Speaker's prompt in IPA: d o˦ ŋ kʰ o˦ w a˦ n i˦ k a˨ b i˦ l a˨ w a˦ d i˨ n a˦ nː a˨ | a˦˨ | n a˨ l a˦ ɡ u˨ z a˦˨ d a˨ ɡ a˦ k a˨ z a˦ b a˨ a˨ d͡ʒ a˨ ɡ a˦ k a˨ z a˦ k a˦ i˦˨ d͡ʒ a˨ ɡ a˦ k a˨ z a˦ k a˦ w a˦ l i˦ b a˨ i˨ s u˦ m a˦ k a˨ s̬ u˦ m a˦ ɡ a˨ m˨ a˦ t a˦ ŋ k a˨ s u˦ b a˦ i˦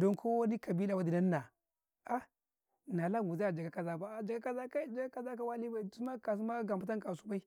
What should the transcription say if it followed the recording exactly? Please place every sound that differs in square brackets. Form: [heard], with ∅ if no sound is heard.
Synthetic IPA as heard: d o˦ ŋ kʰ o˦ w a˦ n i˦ k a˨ b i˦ l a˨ w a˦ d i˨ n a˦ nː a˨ | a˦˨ | n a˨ l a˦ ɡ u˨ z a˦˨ [d͡ʒ] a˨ ɡ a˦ k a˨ z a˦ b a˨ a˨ d͡ʒ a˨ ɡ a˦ k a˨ z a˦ k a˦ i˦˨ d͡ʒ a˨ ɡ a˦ k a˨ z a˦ k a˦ w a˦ l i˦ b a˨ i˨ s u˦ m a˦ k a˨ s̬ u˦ m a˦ ɡ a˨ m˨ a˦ t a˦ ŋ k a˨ s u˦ b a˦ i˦